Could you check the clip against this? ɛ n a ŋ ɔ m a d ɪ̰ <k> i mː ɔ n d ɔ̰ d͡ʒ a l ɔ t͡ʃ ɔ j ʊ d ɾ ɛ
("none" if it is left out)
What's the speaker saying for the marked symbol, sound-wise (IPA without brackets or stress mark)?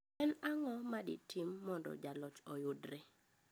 t